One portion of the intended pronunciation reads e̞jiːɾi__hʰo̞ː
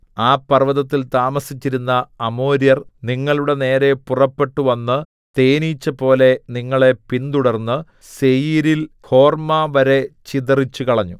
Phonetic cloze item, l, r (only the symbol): l